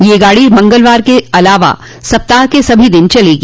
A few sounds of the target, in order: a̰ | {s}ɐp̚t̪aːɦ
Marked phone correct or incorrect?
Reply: correct